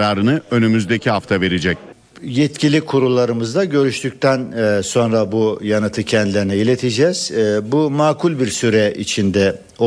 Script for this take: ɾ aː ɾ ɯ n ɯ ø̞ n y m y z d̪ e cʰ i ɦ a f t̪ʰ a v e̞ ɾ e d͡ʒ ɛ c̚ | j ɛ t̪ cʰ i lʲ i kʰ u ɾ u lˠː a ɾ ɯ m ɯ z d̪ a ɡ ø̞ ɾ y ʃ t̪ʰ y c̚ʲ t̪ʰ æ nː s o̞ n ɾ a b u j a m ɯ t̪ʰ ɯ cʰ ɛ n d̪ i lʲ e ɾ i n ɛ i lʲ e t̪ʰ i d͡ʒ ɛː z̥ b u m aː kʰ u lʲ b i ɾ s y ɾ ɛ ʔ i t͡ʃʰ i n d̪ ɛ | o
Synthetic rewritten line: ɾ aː ɾ ɯ n ɯ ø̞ n y m y z d̪ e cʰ i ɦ a f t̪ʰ a v e̞ ɾ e d͡ʒ ɛ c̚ | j ɛ t̪ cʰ i lʲ i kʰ u ɾ u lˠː a ɾ ɯ m ɯ z d̪ a ɟ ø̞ ɾ y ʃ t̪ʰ y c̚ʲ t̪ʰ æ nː s o̞ n ɾ a b u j a n ɯ t̪ʰ ɯ cʰ ɛ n d̪ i lʲ e ɾ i n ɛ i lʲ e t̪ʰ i d͡ʒ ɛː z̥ b u m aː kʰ u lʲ b i ɾ s y ɾ ɛ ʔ i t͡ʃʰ i n d̪ ɛ | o